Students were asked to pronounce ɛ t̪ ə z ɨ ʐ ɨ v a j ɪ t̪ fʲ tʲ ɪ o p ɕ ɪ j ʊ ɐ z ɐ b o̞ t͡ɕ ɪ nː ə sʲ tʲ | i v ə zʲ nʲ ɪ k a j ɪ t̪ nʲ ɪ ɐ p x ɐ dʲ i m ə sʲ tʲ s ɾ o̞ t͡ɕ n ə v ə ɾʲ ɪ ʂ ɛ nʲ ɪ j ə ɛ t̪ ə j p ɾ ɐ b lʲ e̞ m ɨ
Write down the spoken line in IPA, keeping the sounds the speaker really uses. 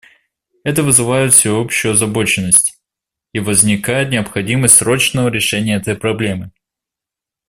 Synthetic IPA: ɛ t̪ ə v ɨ z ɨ v a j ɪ t̪ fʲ sʲ ɪ o p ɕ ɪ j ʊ ɐ z ɐ b o̞ t͡ɕ ɪ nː ə sʲ tʲ | i v ə zʲ nʲ ɪ k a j ɪ t̪ nʲ ɪ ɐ p x ɐ dʲ i m ə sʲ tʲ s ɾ o̞ t͡ɕ n ə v ə ɾʲ ɪ ʂ ɛ nʲ ɪ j ə ɛ t̪ ə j p ɾ ɐ b lʲ e̞ m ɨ